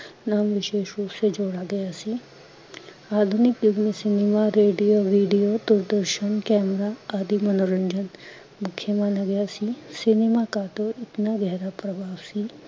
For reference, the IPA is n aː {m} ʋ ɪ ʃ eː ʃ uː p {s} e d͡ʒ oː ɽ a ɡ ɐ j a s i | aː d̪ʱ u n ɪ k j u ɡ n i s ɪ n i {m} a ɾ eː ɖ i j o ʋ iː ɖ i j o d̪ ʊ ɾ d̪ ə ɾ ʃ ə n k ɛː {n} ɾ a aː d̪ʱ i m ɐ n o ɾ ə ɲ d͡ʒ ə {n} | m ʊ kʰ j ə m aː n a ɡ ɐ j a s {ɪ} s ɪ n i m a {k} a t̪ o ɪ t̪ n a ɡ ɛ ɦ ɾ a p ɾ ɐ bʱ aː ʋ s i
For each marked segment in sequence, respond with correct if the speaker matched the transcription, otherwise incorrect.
correct, correct, correct, incorrect: m, correct, incorrect: i, correct

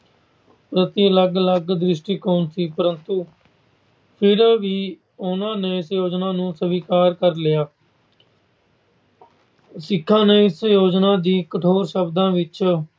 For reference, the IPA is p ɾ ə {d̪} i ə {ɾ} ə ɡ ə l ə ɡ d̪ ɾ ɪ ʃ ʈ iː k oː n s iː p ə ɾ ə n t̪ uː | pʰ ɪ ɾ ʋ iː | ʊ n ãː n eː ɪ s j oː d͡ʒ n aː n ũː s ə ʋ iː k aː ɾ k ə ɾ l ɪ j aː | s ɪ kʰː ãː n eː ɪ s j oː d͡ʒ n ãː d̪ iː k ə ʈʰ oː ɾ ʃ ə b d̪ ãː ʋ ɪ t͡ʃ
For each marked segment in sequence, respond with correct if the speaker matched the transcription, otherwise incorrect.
incorrect: t̪, incorrect: l

